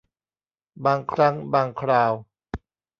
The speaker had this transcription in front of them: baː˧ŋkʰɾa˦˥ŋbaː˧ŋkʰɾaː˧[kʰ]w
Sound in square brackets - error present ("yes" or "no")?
yes